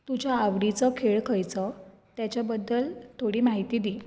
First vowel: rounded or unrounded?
rounded